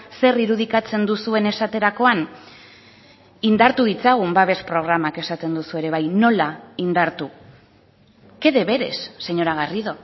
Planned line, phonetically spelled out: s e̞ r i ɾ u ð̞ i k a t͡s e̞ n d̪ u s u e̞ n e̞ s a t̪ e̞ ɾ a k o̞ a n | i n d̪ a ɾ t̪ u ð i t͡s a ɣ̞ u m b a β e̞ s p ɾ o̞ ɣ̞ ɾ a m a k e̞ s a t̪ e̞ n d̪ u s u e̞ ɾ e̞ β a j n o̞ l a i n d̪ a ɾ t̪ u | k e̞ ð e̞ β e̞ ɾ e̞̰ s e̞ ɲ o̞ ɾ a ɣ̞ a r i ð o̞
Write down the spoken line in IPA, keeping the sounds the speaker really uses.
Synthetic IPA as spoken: s e̞ r i ɾ u ð̞ i k a t͡s e̞ n d̪ u s u e̞ n e̞ s a t̪ e̞ ɾ a k o̞ a n | i n d̪ a ɾ t̪ u ð i t͡s a ɣ̞ u m b a β e̞ s p ɾ o̞ ɣ̞ ɾ a m a k e̞ s a t̪ e̞ n d̪ u s u e̞ ɾ e̞ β a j n o̞ l a i n d̪ a ɾ t̪ u | k e̞ ð e̞ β e̞ ɾ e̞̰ sː e̞ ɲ o̞ ɾ a ɣ̞ a r i ð o̞